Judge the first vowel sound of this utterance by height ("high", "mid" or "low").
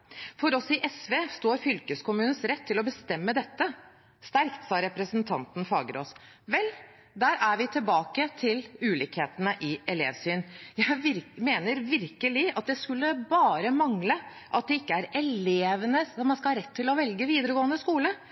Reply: mid